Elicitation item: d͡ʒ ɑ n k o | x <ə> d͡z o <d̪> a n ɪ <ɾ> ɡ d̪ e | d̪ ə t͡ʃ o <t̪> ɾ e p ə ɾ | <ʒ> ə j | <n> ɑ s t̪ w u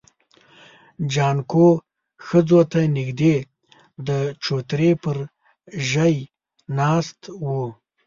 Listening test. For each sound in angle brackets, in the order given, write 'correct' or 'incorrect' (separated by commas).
correct, incorrect, incorrect, correct, correct, correct